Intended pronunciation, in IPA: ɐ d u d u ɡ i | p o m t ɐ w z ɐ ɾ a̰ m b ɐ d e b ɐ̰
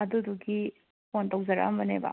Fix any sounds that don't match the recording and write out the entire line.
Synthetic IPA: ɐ d u d u ɡ i | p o n t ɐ w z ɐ ɾ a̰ m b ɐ n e b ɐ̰